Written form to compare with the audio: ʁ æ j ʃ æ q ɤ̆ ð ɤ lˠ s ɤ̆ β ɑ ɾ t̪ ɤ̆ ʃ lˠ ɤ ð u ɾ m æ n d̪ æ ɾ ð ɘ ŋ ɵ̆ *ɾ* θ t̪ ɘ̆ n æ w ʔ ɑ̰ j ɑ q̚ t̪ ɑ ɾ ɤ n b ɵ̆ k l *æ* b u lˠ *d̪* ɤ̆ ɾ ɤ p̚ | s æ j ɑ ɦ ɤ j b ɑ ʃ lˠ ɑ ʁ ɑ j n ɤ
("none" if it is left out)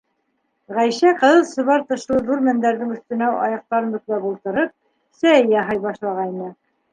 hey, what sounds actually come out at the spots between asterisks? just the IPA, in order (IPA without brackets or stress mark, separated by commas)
none, æ, t̪